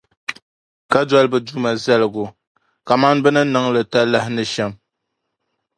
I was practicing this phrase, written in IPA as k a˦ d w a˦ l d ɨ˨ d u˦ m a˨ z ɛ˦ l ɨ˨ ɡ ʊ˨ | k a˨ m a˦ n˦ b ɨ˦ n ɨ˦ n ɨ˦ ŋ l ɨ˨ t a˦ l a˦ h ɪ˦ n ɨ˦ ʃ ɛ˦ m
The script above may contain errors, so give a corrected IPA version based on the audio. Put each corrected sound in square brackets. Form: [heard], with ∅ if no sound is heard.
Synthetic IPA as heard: k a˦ d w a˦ l [b] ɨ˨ d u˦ m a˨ z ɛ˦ l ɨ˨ ɡ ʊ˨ | k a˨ m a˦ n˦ b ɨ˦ n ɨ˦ n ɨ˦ ŋ l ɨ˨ t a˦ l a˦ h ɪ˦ n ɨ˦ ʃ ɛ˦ m